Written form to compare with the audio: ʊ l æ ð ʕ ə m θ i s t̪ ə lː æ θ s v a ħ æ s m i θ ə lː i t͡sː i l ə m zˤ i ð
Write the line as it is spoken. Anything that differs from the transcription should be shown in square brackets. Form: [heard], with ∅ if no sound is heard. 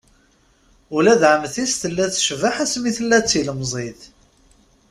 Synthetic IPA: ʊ l æ ð ʕ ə m θ i s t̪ ə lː æ θ [ʃ] v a ħ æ s m i θ ə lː [æ] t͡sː i l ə m zˤ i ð